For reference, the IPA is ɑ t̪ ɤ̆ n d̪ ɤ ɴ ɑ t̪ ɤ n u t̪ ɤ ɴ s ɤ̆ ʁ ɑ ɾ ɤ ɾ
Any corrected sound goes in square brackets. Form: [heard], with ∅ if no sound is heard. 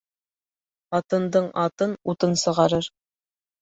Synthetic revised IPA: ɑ t̪ ɤ̆ n d̪ ɤ ɴ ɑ t̪ ɤ n u t̪ ɤ [n] s ɤ̆ ʁ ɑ ɾ ɤ ɾ